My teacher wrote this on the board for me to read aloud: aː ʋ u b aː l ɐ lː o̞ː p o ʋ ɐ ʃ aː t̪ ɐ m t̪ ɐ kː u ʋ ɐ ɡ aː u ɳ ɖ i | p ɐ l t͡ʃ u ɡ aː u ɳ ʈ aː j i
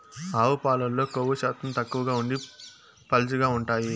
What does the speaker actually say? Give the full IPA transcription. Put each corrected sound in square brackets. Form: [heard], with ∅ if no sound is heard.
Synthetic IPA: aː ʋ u [p] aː l ɐ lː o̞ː [k] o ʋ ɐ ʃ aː t̪ ɐ m t̪ ɐ kː u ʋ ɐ ɡ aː u ɳ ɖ i | p ɐ l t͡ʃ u ɡ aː u ɳ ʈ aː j i